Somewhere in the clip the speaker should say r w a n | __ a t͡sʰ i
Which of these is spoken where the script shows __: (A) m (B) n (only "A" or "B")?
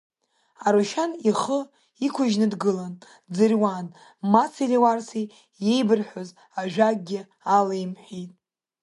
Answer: A